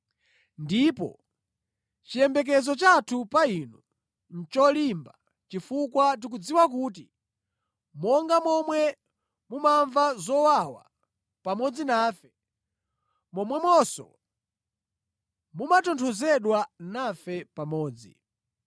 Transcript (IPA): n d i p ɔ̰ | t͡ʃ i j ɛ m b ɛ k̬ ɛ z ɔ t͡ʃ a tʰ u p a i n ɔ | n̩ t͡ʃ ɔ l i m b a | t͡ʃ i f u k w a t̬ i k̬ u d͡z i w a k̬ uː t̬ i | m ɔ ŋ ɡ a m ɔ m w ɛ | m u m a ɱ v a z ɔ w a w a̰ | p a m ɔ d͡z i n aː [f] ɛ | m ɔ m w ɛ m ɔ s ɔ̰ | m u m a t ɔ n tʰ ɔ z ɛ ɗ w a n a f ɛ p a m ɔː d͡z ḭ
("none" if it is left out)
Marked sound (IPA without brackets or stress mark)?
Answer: f